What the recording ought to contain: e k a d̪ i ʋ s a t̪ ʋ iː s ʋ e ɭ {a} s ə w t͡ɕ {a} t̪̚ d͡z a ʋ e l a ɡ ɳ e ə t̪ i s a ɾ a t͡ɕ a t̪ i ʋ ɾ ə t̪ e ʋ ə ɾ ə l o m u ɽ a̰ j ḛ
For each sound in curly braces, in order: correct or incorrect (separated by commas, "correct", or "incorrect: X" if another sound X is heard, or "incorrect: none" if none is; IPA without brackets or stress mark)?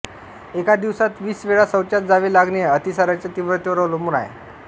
correct, correct